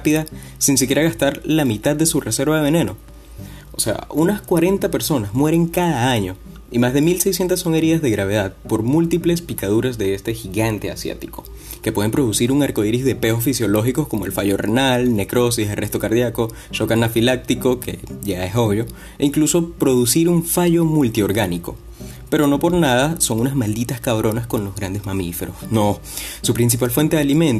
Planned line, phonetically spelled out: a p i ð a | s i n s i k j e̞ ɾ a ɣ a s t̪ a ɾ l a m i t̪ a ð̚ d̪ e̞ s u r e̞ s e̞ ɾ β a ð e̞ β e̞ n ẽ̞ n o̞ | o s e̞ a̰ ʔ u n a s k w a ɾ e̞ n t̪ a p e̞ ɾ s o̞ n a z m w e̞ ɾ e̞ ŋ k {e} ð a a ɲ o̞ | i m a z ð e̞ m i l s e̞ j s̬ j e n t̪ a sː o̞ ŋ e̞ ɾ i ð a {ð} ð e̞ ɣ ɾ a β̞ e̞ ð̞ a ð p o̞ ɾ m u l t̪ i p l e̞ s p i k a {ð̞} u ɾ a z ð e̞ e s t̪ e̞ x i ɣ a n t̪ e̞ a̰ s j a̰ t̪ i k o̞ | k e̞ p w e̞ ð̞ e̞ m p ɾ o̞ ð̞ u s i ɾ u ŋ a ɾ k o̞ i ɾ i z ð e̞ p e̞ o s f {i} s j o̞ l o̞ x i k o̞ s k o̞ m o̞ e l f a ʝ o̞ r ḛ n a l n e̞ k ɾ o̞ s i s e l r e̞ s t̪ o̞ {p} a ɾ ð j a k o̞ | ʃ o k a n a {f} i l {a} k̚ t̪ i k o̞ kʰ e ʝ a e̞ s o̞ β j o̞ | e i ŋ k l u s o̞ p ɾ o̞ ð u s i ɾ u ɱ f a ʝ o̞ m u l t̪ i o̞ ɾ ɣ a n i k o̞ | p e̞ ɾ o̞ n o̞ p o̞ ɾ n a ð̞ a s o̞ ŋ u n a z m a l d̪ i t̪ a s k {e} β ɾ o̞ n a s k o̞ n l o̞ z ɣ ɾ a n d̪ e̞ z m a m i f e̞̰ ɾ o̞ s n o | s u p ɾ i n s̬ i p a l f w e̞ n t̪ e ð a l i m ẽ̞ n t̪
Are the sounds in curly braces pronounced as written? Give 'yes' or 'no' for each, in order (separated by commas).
no, no, yes, yes, no, yes, yes, no